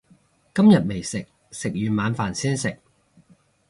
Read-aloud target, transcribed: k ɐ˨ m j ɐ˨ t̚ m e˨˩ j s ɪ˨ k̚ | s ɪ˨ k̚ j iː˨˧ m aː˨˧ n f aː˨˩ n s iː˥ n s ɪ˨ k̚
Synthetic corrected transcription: k ɐ˥ m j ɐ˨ t̚ m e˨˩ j s ɪ˨ k̚ | s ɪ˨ k̚ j yː˨˧ m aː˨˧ n f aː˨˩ n s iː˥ n s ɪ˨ k̚